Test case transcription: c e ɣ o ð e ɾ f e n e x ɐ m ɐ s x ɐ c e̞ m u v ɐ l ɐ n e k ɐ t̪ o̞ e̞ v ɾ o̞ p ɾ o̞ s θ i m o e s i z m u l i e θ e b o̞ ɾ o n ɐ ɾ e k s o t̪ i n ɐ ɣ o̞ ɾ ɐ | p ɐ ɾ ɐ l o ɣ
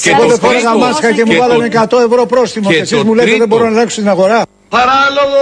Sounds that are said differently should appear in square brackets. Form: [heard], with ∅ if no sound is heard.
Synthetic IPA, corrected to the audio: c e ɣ o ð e [∅] f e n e [ɣ] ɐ m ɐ s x ɐ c e̞ m u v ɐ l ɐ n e k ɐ t̪ o̞ e̞ v ɾ o̞ p ɾ o̞ s θ i m o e s i z m u l [e] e [ð] e b o̞ ɾ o n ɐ [l] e k s o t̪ i n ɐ ɣ o̞ ɾ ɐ | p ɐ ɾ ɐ l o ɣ